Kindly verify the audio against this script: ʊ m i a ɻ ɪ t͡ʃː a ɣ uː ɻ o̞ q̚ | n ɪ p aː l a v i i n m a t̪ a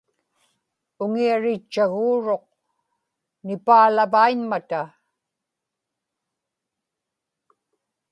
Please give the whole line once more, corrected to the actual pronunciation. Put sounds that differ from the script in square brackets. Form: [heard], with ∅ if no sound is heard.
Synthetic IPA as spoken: ʊ [ŋ] i a ɻ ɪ t͡ʃː a ɣ uː ɻ o̞ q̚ | n ɪ p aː l a v [a] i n m a t̪ a